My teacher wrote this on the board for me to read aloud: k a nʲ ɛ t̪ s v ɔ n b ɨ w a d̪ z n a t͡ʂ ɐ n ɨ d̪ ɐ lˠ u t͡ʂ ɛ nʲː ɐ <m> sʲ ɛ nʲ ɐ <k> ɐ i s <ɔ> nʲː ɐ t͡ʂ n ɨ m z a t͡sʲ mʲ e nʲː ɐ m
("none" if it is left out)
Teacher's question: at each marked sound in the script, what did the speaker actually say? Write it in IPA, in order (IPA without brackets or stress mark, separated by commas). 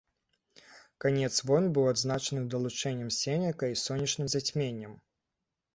m, k, ɔ